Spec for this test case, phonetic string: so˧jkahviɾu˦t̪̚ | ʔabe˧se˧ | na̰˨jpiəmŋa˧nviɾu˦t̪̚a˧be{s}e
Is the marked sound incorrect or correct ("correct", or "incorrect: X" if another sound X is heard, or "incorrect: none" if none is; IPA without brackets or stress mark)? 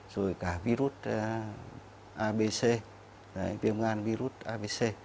correct